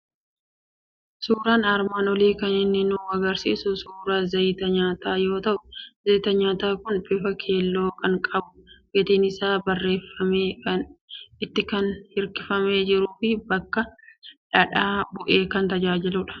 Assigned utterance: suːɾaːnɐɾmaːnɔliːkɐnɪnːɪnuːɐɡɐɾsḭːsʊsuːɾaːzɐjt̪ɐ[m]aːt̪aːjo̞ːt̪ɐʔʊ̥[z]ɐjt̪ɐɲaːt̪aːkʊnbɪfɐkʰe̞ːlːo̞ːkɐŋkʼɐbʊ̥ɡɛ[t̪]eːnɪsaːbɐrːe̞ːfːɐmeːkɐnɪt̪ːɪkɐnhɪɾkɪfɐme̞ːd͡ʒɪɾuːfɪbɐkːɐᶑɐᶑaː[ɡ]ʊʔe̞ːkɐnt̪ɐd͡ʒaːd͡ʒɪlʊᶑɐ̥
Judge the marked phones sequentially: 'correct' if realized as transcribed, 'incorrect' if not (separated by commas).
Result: incorrect, correct, correct, incorrect